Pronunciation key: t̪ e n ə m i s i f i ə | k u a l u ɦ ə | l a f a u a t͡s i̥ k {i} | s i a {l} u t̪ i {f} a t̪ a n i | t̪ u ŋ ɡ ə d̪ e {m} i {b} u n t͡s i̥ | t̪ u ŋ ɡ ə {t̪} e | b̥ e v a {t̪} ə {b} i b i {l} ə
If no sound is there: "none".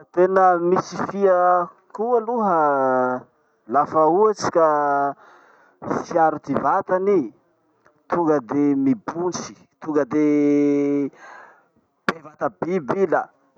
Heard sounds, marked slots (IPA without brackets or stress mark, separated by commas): a, ɾ, v, m, b, d̪, t̪, b, l